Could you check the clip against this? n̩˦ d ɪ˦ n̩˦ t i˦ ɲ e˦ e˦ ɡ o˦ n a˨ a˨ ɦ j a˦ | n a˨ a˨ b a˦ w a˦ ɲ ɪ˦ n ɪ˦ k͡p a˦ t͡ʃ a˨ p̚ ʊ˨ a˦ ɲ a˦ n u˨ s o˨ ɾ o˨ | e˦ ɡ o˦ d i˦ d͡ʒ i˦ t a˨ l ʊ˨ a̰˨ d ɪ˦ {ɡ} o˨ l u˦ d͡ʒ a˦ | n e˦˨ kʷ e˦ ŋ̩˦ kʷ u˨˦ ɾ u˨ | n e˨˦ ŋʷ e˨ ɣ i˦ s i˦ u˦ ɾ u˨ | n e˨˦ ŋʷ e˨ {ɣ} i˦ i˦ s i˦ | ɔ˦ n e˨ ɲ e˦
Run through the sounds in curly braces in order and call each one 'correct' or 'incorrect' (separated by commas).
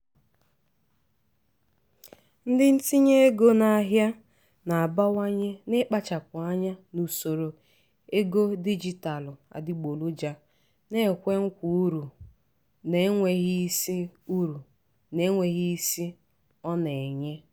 incorrect, correct